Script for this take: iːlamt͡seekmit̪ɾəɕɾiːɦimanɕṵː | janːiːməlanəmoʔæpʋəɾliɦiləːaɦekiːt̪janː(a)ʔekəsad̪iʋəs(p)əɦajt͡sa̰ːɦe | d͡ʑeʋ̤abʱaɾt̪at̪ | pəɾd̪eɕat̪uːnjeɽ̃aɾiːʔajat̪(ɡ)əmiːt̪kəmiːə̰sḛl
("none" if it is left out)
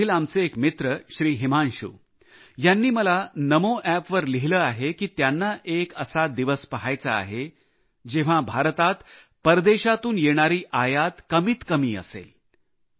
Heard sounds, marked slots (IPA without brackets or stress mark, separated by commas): a, p, k